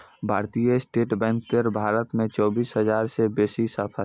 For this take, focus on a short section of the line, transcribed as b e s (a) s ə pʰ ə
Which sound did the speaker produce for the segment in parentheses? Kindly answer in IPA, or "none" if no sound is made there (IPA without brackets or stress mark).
i